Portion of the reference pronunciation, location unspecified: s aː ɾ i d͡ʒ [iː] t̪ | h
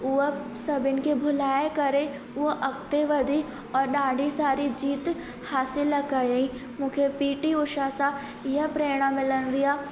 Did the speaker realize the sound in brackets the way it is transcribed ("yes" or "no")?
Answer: yes